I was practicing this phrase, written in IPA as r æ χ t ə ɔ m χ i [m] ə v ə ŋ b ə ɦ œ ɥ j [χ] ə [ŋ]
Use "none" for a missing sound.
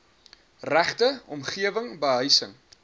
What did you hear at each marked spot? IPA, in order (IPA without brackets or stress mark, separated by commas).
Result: none, s, ŋ